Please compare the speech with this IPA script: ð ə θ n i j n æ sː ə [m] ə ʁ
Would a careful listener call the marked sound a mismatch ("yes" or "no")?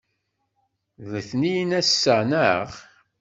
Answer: yes